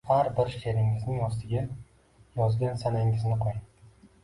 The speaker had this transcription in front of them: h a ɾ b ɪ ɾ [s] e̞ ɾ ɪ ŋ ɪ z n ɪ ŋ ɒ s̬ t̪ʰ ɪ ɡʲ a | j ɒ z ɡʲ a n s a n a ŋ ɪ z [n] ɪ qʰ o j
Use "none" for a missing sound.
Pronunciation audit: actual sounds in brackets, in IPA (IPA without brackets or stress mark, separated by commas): ʃ, n